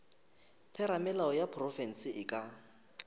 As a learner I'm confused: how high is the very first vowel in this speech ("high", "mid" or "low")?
mid